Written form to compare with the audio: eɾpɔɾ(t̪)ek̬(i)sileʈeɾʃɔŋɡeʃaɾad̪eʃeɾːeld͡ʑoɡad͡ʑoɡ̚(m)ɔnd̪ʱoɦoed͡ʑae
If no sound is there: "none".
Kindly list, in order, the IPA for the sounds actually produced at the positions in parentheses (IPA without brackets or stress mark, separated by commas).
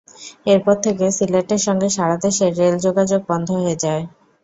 t̪ʰ, e, b